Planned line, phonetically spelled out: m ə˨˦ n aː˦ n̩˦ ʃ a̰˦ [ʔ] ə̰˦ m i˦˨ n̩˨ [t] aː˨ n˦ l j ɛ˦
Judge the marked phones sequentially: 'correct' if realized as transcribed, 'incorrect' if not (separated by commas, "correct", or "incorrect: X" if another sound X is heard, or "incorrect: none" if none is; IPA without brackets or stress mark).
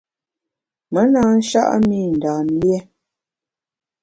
correct, incorrect: d